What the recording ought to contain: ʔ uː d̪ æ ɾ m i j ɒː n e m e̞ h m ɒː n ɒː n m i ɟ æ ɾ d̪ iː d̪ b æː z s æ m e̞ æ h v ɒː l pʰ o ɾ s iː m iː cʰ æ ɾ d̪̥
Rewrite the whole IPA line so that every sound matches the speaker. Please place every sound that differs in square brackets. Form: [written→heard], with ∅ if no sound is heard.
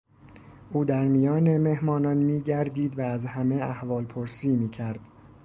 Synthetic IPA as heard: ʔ uː d̪ æ ɾ m i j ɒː n e m e̞ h m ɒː n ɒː n m [i→iː] ɟ æ ɾ d̪ iː d̪ [b→v] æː z [s→h] æ m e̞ æ h v ɒː l pʰ o ɾ s iː m iː cʰ æ ɾ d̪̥

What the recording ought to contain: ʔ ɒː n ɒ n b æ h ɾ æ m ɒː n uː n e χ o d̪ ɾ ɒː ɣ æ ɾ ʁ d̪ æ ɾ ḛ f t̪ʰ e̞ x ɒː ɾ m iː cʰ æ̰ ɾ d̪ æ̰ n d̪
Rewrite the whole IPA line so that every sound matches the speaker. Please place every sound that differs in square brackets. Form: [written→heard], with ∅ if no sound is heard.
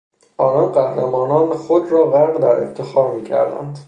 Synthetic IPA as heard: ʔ ɒː n ɒ n [b→ɢ] æ h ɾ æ m ɒː n [uː→ɒː] n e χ o d̪ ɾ ɒː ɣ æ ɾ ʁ d̪ æ ɾ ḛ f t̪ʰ e̞ x ɒː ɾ m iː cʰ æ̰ ɾ d̪ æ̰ n d̪

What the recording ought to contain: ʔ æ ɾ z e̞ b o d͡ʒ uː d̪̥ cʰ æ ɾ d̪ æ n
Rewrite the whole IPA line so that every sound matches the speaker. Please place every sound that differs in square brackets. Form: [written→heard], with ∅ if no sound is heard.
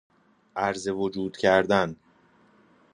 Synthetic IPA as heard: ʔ æ ɾ z e̞ [b→v] o d͡ʒ uː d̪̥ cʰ æ ɾ d̪ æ n

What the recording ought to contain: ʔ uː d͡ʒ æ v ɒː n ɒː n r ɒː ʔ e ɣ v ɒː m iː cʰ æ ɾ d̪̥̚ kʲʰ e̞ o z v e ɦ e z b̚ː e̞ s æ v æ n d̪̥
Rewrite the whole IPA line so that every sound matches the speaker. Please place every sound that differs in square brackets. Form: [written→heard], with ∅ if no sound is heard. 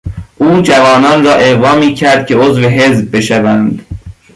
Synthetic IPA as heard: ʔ uː d͡ʒ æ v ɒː n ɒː n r ɒː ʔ e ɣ v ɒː m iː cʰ æ ɾ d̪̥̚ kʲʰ e̞ o z v e ɦ e z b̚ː e̞ [s→ʃ] æ v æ n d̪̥

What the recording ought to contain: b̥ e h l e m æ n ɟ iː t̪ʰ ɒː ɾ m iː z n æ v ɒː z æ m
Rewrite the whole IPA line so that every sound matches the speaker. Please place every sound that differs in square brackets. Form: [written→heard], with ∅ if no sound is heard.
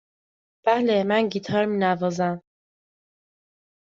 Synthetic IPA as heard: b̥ [e→æ] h l e m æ n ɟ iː t̪ʰ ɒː ɾ m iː [z→∅] n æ v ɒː z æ m

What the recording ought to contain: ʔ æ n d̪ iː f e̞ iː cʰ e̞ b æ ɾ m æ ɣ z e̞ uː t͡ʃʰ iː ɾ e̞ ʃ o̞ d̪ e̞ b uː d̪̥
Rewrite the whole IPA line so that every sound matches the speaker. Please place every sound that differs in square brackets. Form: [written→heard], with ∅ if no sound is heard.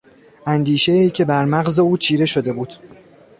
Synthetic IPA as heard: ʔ æ n d̪ iː [f→ʃ] e̞ iː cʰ e̞ b æ ɾ m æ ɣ z e̞ uː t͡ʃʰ iː ɾ e̞ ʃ o̞ d̪ e̞ b uː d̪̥

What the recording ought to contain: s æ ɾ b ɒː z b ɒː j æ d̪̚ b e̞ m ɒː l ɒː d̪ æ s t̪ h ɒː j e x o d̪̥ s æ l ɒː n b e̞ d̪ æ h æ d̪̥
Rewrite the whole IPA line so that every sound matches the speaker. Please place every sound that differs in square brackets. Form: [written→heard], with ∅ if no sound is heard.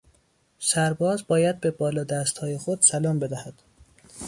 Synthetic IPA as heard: s æ ɾ b ɒː z b ɒː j æ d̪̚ b e̞ [m→b] ɒː l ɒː d̪ æ s t̪ h ɒː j e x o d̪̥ s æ l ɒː [n→m] b e̞ d̪ æ h æ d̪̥

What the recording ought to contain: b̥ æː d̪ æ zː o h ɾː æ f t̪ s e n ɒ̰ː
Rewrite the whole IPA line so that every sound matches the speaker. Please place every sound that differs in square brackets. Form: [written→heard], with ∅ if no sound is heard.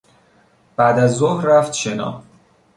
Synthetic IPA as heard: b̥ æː d̪ æ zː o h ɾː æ f t̪ [s→ʃ] e n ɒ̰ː

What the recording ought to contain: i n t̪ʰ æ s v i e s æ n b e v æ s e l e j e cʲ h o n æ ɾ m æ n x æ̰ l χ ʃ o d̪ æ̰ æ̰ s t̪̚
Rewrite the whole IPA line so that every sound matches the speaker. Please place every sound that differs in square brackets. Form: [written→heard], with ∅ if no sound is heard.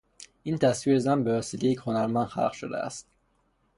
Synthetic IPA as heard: i n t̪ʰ æ s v i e [s→z] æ n b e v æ s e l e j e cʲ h o n æ ɾ m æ n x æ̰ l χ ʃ o d̪ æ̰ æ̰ s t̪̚

